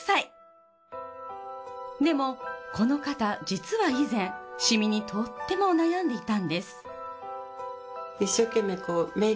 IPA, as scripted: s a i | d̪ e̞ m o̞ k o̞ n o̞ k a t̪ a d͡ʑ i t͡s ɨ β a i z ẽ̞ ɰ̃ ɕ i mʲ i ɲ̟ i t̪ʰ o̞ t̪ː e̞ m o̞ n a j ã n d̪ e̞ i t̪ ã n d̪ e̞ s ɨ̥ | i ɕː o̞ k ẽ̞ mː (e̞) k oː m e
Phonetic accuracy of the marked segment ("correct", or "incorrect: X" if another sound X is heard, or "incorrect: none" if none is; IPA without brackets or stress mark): correct